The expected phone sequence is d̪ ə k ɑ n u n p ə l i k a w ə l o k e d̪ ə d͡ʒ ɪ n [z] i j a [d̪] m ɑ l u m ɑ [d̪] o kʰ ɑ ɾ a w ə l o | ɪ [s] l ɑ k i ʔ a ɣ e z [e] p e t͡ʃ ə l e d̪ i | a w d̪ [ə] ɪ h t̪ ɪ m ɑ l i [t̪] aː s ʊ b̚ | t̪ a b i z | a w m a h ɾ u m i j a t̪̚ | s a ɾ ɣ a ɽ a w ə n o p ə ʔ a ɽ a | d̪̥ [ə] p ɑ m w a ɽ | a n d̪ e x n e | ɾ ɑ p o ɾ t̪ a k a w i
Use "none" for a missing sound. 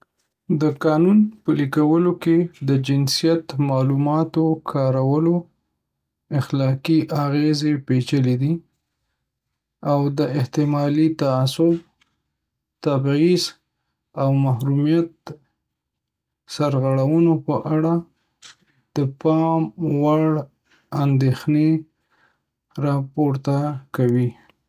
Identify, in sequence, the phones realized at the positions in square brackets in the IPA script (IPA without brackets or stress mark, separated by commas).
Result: s, t̪, t̪, x, e, ə, t̪, ə